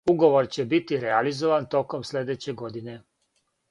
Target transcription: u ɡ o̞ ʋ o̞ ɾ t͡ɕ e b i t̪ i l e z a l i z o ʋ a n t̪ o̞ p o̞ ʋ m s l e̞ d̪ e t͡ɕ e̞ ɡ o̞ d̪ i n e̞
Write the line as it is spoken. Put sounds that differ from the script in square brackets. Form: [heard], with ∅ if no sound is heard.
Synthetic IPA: u ɡ o̞ ʋ o̞ ɾ t͡ɕ e b i t̪ i [ɾ] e [∅] a l i z o ʋ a n t̪ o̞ [k] o̞ [∅] m s l e̞ d̪ e t͡ɕ e̞ ɡ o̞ d̪ i n e̞